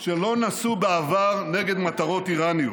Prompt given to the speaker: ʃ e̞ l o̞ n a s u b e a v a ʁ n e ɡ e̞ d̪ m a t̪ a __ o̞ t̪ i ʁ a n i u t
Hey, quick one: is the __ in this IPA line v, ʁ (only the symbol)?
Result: ʁ